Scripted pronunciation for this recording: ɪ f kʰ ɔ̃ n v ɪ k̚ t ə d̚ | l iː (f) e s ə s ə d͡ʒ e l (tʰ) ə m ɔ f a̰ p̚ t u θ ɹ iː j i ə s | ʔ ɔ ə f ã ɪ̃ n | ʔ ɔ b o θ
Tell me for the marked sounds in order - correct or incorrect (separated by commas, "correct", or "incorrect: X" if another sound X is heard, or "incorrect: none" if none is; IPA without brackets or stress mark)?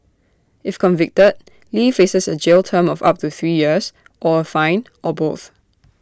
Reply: correct, correct